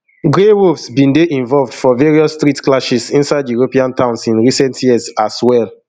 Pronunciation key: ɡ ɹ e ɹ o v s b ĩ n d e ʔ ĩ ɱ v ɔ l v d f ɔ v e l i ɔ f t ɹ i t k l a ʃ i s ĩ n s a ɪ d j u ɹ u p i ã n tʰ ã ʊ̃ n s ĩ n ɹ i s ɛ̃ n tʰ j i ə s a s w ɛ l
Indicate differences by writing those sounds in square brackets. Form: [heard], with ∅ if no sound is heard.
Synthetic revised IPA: ɡ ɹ e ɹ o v s b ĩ n d e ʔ ĩ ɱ v ɔ l v d f ɔ v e [ɹ] i ɔ [s] t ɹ i t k l a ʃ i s ĩ n s a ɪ d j u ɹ [o] p i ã n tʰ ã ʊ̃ n s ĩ n ɹ i s ɛ̃ n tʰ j i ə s a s w ɛ l